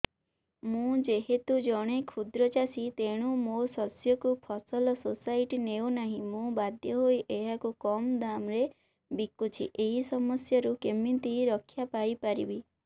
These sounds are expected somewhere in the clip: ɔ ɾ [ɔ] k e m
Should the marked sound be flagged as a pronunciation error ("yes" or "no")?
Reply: yes